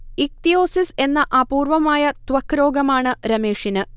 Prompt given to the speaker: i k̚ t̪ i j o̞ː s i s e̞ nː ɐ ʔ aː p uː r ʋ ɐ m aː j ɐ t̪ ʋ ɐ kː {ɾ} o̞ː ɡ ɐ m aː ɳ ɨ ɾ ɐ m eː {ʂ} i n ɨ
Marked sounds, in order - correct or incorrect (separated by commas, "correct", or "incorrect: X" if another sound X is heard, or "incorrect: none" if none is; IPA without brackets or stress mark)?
correct, correct